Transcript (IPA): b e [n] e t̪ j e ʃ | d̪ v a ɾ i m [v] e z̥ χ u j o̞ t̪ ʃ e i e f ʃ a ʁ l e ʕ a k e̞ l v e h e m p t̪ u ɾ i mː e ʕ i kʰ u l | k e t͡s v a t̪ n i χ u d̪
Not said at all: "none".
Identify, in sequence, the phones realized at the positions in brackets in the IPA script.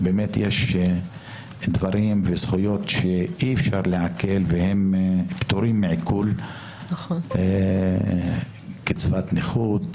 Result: m, v

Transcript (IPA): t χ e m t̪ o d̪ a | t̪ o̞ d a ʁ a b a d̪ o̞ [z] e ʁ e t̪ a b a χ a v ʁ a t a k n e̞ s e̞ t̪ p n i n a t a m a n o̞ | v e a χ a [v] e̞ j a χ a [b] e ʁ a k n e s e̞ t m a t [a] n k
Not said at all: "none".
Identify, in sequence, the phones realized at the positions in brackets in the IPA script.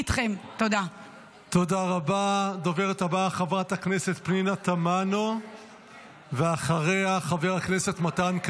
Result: v, ʁ, v, a

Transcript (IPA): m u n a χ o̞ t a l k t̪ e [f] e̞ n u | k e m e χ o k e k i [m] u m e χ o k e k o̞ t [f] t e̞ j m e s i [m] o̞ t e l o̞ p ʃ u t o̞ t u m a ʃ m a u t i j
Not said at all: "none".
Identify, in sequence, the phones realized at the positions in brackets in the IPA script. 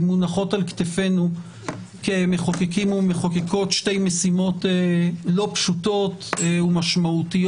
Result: f, m, ʃ, m

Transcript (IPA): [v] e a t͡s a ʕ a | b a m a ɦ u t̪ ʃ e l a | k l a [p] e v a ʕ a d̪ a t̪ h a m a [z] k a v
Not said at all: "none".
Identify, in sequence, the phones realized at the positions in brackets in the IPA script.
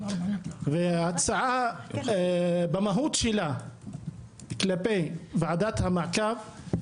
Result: v, p, ʕ

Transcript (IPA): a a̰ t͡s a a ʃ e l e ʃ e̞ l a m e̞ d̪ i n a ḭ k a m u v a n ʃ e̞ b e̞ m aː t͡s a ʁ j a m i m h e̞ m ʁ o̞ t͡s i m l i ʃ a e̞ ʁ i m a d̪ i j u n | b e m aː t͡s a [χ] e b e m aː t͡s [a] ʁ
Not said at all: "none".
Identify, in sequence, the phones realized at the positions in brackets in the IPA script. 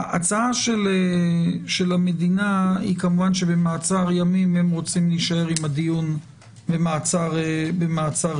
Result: ʁ, a

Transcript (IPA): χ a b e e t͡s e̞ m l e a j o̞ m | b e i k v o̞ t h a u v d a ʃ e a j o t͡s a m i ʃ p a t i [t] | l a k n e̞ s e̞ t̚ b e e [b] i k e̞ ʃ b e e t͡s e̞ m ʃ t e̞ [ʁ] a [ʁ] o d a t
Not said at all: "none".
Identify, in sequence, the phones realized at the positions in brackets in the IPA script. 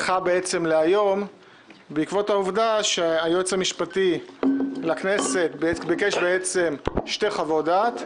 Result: none, b, χ, v

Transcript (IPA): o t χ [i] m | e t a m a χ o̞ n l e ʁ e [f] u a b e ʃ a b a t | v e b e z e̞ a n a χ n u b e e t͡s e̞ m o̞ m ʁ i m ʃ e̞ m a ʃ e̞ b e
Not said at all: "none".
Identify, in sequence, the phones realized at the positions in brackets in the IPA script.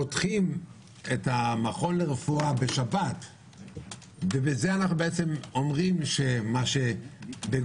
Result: i, f

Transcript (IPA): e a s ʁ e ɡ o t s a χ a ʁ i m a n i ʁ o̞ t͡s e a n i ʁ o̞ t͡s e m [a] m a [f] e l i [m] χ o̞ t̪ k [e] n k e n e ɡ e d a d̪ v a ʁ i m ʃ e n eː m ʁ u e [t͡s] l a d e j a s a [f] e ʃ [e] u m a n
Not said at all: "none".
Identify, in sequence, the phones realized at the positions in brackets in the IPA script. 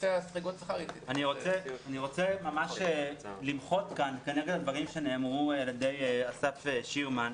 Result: a, ʃ, m, a, none, f, i

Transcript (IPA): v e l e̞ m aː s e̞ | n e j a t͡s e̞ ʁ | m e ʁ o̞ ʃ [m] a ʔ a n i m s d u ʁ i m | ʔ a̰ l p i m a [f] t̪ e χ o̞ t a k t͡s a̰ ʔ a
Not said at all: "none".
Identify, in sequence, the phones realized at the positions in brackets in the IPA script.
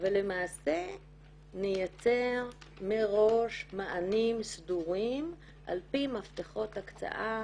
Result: m, f

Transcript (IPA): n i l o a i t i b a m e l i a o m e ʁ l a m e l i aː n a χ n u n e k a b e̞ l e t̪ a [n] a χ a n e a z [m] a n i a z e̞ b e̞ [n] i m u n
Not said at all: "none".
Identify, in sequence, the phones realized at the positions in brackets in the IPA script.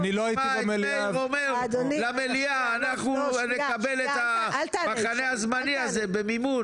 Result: m, m, m

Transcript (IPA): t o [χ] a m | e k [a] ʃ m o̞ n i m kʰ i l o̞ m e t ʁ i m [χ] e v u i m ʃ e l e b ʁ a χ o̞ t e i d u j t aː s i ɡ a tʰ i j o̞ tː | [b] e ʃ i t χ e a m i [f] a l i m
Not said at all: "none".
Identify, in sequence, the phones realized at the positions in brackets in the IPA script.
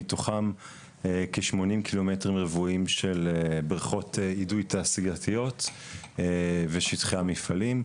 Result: χ, e, ʁ, v, f

